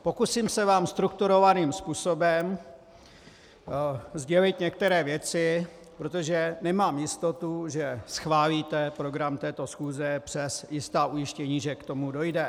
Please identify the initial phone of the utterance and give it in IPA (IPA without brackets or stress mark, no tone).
p